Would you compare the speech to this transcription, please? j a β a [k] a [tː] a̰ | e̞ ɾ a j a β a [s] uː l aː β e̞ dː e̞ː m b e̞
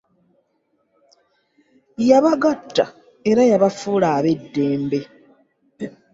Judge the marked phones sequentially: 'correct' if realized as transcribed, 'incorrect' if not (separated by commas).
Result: incorrect, correct, incorrect